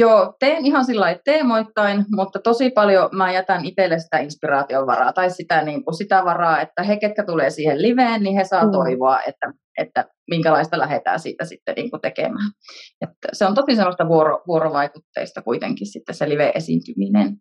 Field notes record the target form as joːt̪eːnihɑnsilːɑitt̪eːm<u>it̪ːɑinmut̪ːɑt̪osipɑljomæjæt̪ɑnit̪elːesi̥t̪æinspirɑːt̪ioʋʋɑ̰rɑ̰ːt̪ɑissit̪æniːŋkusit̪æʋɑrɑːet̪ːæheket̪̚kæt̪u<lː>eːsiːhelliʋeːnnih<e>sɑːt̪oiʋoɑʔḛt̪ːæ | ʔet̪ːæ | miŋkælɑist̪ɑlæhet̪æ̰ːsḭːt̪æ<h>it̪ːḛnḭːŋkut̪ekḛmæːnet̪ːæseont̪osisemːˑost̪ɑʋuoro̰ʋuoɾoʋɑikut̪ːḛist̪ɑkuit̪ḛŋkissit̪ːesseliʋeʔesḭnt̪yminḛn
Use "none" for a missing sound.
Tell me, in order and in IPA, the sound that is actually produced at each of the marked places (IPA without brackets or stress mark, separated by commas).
o, l, e, s